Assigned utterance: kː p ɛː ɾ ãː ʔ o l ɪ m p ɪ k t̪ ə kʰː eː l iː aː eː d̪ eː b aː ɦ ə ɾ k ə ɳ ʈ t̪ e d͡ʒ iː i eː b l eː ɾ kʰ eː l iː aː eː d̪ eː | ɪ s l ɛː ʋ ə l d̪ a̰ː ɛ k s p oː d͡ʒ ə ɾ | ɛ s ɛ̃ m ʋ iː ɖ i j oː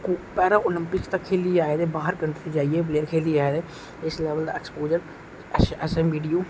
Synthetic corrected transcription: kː p ɛː ɾ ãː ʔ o l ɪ m p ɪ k t̪ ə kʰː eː l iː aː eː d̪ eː b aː ɦ ə ɾ k ə ɳ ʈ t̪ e d͡ʒ aː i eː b l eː ɾ kʰ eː l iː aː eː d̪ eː | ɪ s l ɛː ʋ ə l d̪ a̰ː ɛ k s p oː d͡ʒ ə ɾ | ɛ s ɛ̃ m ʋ iː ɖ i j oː